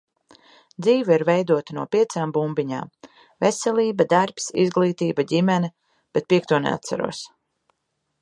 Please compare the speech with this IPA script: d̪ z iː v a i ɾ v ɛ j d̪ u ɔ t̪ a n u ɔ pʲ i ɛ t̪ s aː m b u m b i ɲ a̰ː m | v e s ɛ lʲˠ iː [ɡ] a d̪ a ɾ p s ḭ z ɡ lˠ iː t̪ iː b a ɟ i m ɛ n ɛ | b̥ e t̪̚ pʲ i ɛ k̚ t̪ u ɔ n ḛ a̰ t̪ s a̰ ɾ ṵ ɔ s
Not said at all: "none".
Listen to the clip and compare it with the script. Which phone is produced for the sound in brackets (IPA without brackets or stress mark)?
b